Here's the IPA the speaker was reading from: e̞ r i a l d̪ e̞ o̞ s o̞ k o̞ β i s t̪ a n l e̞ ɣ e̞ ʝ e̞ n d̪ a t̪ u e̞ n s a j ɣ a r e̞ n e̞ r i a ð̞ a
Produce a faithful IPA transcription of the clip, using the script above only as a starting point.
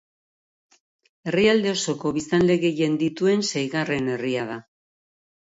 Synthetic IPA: e̞ r i a l d̪ e̞ o̞ s o̞ k o̞ β i s t̪ a n l e̞ ɣ e̞ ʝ e̞ n d̪ i t̪ u e̞ n s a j ɣ a r e̞ n e̞ r i a ð̞ a